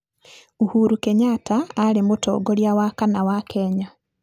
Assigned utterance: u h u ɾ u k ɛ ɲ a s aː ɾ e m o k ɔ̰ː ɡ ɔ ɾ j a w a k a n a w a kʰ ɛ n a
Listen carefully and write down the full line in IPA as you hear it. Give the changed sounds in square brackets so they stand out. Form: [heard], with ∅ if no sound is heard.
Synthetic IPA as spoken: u h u ɾ u k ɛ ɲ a [t] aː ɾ e m o [t] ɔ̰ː ɡ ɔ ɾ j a w a k a n a w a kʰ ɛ [ɲ] a